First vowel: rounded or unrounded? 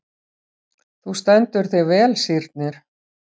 rounded